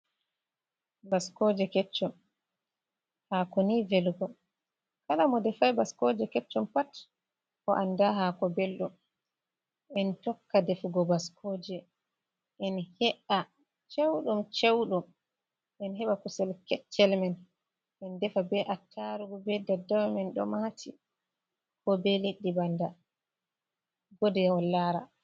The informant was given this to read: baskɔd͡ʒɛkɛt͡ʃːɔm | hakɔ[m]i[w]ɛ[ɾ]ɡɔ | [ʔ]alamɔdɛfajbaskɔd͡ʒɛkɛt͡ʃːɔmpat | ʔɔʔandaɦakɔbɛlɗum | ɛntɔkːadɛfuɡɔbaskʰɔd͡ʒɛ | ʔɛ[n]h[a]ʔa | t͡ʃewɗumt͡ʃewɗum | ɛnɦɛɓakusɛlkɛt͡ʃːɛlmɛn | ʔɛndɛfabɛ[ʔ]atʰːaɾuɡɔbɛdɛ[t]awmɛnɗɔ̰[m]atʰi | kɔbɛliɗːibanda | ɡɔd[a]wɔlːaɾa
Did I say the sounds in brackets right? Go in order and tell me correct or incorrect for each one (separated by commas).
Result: incorrect, incorrect, incorrect, incorrect, correct, incorrect, correct, incorrect, correct, incorrect